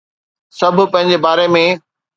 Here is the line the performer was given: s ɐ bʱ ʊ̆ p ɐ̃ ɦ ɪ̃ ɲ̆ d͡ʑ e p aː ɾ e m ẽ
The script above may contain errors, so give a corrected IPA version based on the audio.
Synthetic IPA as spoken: s ɐ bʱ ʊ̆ p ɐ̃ ɦ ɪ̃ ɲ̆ d͡ʑ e b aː ɾ e m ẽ